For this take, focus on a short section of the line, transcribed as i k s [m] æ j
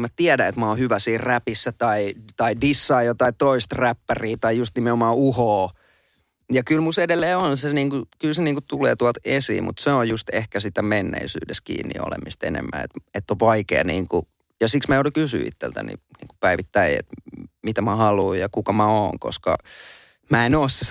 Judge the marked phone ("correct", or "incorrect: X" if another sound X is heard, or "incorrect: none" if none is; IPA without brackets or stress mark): correct